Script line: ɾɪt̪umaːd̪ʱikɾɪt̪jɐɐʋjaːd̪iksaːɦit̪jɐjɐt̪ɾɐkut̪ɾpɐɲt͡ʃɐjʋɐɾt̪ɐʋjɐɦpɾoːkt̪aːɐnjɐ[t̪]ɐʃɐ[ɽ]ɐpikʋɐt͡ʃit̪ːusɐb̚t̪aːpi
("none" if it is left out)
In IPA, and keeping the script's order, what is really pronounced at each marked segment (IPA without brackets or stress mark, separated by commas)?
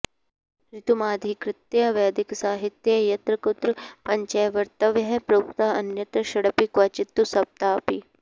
t̪, ɽ